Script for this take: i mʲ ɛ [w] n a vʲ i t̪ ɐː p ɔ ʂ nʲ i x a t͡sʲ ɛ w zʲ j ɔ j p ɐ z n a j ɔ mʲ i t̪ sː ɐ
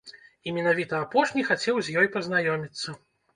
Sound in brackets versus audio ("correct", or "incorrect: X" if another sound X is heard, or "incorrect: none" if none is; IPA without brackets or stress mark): incorrect: none